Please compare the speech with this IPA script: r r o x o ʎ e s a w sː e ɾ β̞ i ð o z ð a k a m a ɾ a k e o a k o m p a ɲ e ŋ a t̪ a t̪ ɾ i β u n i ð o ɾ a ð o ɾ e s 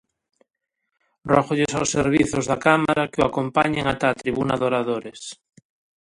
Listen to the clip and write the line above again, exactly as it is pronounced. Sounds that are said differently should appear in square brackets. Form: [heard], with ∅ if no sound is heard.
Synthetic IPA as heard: r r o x o ʎ e s a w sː e ɾ β̞ i [θ] o z ð a k a m a ɾ a k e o a k o m p a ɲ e ŋ a t̪ a t̪ ɾ i β u n [a] ð o ɾ a ð o ɾ e s